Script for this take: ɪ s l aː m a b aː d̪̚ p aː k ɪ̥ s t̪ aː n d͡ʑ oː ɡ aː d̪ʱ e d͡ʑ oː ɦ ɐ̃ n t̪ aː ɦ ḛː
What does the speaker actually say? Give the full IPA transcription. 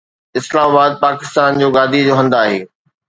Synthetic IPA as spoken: ɪ s l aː m a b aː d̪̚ p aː k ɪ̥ s t̪ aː n d͡ʑ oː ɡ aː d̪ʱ i d͡ʑ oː ɦ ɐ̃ n d̪ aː ɦ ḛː